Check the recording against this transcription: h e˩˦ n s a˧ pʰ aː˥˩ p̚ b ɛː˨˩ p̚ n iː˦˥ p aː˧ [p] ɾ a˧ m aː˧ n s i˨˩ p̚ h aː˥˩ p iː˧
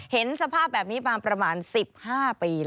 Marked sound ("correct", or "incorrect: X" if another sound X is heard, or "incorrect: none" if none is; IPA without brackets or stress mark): correct